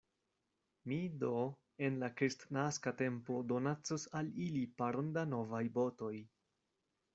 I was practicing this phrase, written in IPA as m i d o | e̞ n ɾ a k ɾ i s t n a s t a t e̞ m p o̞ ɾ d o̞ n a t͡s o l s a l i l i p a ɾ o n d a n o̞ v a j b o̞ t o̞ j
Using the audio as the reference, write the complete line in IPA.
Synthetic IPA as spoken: m i d o | e̞ n l a k ɾ i s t n a s k a t e̞ m p o̞ d o̞ n a t͡s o s a l i l i p a ɾ o n d a n o̞ v a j b o̞ t o̞ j